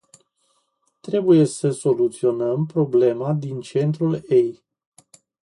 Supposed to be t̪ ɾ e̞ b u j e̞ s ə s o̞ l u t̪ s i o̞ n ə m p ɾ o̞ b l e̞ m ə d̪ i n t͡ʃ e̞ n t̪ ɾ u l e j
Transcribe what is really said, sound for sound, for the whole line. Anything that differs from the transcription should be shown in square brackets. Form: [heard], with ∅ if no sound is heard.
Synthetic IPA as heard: t̪ ɾ e̞ b u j e̞ s ə s o̞ l u t̪ s i o̞ n ə m p ɾ o̞ b l e̞ m [a] d̪ i n t͡ʃ e̞ n t̪ ɾ u l e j